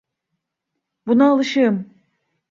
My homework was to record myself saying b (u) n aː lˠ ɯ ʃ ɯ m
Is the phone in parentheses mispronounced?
no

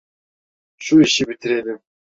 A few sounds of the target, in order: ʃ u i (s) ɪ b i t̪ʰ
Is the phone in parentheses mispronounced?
yes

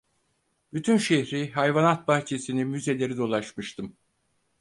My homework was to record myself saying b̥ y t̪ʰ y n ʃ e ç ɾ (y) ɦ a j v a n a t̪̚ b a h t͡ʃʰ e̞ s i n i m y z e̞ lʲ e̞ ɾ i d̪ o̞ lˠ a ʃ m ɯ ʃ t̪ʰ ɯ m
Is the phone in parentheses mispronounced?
yes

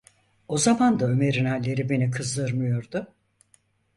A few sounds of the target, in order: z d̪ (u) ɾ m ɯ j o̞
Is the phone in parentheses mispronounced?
yes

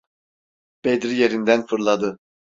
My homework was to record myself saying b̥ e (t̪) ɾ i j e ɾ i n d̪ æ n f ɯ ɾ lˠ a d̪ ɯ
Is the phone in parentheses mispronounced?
yes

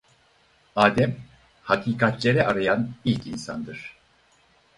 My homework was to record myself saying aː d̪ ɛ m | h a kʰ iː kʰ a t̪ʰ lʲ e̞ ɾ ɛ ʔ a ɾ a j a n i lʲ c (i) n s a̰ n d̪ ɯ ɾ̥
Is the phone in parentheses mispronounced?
no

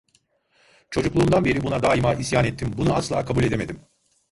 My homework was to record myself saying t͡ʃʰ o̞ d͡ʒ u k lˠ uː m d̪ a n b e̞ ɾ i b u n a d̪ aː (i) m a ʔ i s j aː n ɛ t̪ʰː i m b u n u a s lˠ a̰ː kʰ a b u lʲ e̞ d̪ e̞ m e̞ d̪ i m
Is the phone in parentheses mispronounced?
no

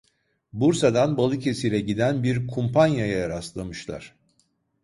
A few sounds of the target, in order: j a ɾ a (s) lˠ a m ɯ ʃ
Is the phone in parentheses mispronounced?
no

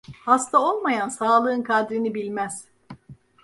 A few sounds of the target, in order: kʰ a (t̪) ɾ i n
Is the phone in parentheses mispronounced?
yes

